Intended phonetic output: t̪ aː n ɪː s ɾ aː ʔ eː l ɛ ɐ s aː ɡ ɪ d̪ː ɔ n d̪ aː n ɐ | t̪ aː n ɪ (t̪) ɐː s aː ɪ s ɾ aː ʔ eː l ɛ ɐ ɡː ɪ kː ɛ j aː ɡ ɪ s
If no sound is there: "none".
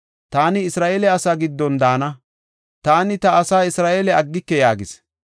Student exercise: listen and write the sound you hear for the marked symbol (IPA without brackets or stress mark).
t̪